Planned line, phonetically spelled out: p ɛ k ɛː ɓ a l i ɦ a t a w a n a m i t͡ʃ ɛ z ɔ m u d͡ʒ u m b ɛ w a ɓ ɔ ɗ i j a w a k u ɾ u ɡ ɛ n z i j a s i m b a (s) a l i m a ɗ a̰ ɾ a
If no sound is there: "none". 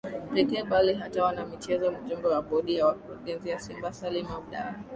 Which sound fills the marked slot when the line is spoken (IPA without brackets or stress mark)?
s